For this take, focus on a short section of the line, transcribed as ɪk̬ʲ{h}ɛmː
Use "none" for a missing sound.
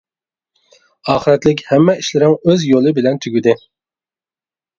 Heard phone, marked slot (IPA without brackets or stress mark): h